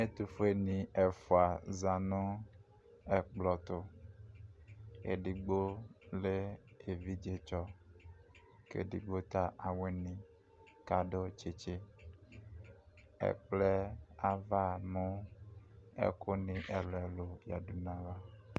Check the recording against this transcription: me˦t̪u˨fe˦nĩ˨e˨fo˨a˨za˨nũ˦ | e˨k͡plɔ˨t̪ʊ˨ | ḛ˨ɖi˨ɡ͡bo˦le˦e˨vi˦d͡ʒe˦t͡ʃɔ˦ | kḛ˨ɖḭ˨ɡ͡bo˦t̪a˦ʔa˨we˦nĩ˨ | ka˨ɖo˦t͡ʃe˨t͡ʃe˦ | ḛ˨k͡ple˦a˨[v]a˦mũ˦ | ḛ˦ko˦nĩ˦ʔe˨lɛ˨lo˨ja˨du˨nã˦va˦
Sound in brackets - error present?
no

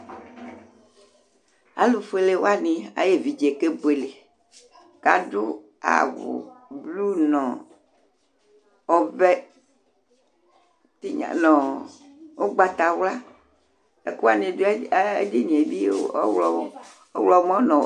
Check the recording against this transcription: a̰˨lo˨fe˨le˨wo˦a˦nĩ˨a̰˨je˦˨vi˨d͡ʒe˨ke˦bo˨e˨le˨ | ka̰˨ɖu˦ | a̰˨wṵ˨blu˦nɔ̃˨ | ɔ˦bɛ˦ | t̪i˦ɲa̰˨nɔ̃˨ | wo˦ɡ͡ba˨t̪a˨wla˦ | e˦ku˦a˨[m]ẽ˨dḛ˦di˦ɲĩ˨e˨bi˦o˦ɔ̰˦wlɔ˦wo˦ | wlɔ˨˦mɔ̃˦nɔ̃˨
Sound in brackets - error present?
yes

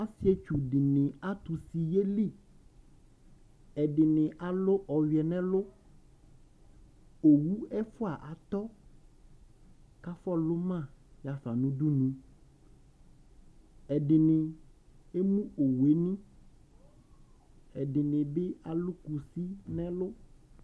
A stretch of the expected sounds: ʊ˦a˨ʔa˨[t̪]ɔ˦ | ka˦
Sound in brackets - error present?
no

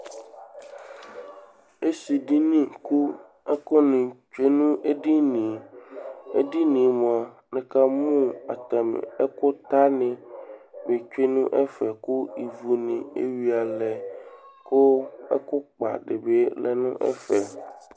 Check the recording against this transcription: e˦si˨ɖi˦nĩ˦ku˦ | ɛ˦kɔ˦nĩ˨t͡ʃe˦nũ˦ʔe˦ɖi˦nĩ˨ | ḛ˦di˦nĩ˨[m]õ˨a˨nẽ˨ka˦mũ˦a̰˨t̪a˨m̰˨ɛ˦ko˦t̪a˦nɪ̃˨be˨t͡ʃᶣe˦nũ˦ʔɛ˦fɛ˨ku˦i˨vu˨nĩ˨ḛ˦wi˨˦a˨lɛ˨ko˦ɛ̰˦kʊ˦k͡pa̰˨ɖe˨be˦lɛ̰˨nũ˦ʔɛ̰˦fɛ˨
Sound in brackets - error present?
no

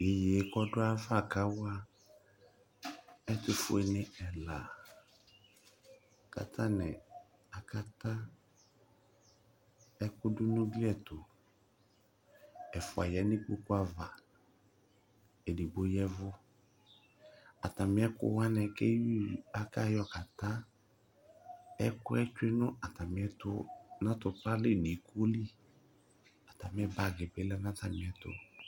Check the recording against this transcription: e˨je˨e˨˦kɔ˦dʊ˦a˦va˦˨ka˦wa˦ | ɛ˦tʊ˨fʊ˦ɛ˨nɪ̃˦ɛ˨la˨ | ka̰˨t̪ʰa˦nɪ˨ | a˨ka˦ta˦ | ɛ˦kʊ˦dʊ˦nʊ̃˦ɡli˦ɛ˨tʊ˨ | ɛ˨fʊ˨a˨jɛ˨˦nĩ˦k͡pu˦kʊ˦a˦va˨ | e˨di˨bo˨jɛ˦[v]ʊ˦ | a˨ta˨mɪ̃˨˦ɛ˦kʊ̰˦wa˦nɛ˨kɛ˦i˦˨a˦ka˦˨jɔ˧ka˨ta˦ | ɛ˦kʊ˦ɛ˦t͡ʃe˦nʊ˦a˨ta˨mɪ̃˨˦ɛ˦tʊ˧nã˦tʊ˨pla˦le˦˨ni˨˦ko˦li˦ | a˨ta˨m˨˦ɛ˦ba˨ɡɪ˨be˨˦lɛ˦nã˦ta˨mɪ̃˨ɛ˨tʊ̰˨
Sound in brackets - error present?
no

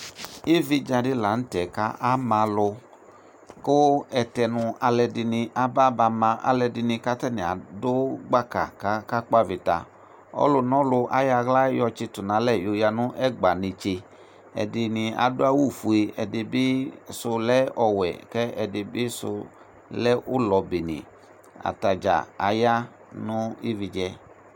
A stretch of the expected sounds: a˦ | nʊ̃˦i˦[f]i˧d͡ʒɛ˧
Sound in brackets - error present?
yes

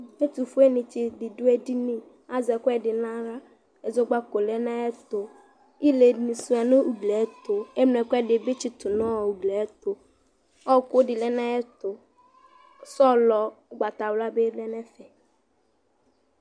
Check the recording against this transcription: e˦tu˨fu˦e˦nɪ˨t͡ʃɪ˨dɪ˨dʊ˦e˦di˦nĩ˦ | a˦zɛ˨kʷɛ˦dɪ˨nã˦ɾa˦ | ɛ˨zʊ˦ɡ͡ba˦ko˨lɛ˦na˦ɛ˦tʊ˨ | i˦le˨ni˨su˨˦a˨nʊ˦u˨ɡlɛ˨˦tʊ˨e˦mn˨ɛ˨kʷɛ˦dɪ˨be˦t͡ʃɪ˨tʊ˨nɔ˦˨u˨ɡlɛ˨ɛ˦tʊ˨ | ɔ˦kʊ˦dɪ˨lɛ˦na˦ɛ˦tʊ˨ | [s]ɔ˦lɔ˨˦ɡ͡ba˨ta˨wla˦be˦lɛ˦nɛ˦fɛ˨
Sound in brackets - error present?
no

